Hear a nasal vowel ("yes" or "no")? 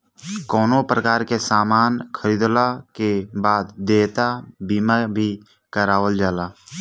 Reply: no